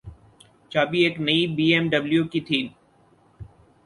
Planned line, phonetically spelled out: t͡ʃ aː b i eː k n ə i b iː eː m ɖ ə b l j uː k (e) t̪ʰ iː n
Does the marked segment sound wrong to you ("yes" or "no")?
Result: yes